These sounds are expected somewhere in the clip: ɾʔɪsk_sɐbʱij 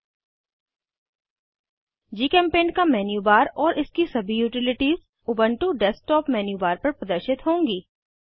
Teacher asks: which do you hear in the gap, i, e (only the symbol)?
i